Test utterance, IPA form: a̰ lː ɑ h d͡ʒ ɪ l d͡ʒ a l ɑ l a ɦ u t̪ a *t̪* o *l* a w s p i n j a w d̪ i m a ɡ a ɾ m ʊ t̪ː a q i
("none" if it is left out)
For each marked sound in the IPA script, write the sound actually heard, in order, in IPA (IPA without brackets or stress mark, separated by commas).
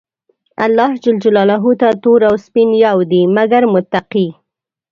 t̪, ɾ